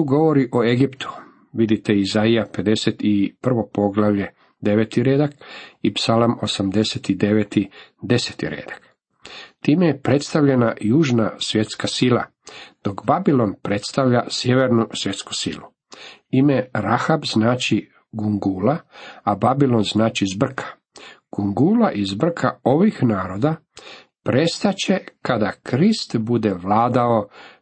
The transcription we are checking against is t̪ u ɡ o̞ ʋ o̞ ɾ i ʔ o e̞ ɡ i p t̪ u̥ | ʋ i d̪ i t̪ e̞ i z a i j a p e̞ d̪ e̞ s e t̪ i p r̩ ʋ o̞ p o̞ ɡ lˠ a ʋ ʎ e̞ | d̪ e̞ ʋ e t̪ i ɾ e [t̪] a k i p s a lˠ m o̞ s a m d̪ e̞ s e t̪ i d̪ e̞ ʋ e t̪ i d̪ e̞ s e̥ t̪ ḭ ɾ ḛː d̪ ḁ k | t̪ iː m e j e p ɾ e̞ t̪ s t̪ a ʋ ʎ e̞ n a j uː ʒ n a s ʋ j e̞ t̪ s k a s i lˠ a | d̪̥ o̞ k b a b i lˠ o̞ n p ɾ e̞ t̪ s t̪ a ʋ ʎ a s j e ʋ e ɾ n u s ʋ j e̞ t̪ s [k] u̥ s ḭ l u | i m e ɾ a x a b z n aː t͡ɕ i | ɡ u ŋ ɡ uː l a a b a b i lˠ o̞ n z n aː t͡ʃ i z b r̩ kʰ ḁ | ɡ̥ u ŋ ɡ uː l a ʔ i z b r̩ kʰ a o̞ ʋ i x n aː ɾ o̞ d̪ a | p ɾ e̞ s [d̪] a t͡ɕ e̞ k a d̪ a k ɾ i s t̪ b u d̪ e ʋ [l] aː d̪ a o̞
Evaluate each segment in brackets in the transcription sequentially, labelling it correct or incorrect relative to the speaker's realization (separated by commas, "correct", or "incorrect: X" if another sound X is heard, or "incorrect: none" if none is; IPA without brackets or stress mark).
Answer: incorrect: d̪, correct, incorrect: t̪, correct